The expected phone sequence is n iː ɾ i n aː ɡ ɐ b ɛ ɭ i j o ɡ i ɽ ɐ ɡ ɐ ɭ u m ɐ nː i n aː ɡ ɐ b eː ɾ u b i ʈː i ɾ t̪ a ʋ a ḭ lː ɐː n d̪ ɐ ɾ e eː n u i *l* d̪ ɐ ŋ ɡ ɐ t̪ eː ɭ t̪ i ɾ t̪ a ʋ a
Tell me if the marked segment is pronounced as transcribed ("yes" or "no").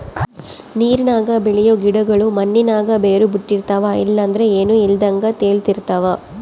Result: yes